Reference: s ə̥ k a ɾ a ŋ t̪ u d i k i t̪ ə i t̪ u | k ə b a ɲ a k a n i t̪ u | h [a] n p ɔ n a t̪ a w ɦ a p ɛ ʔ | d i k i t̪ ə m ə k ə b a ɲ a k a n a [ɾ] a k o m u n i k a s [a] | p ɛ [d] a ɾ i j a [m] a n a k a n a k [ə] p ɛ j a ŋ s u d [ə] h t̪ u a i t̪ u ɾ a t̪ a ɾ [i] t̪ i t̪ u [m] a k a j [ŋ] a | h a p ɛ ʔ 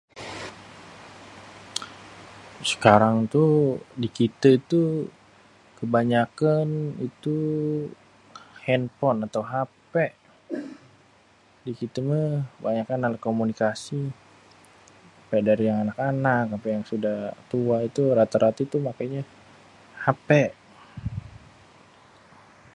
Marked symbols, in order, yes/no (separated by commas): no, no, no, yes, no, no, no, no, yes, no